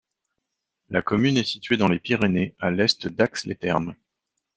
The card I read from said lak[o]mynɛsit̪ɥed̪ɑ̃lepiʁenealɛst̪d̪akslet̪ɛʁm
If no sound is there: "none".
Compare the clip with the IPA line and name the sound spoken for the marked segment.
ɔ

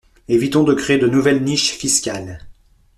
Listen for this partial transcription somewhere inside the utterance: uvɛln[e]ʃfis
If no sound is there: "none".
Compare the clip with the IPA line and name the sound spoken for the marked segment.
i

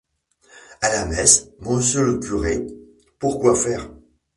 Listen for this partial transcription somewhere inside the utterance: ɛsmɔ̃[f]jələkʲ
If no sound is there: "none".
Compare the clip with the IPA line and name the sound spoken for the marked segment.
s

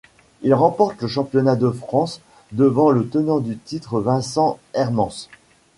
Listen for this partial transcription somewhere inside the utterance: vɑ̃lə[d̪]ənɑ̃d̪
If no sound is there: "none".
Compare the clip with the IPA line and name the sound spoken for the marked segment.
t̪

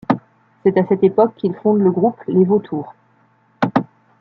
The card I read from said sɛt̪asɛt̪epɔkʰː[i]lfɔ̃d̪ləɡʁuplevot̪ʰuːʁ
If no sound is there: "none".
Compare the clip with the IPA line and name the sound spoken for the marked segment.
i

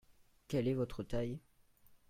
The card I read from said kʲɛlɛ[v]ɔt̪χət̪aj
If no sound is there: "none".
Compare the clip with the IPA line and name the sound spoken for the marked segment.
v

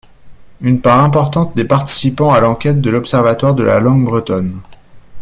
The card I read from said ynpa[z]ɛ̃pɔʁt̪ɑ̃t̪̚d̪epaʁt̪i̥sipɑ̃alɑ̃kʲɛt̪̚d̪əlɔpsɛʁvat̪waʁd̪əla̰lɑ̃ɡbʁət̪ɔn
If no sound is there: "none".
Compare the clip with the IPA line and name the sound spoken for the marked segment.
ʁ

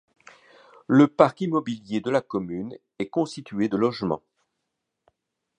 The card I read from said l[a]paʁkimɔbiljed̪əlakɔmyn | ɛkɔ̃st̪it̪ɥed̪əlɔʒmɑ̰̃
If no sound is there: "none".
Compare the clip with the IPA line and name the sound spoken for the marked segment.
ə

